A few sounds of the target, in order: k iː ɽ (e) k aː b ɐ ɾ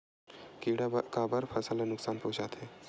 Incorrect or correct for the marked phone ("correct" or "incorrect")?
incorrect